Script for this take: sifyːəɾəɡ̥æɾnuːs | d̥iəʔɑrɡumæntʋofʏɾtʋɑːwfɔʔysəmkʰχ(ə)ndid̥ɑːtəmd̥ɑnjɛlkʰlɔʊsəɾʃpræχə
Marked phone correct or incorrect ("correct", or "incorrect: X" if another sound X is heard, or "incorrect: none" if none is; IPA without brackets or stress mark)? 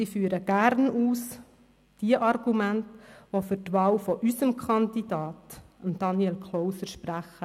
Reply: incorrect: ɑ